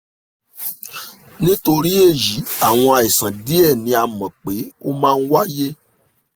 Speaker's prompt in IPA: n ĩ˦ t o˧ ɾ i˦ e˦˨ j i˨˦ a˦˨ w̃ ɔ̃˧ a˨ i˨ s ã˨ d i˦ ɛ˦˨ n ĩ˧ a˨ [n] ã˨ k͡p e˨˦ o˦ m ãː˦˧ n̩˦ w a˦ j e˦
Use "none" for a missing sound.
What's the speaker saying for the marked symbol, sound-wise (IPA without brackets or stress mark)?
m